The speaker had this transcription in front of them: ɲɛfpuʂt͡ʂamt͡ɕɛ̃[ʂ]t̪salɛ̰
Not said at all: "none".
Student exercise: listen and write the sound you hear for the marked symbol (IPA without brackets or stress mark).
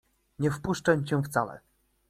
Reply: f